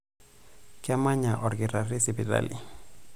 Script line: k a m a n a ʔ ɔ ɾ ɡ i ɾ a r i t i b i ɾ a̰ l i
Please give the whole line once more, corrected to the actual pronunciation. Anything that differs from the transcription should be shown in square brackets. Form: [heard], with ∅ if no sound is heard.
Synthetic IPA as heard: k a m a [ɲ] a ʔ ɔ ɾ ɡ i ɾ a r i [s] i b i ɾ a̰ l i